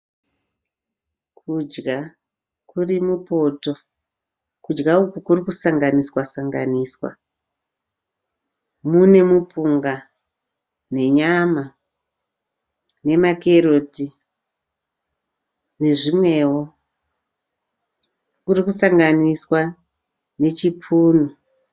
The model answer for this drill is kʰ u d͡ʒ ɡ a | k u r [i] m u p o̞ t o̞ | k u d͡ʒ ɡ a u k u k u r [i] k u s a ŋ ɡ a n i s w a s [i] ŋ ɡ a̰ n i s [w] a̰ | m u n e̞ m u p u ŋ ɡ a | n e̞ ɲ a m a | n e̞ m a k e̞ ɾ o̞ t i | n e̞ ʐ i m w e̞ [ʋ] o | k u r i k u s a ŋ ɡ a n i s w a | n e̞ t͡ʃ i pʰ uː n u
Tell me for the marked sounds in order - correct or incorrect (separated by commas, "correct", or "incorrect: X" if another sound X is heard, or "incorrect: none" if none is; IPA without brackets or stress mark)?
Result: correct, correct, incorrect: a, correct, incorrect: w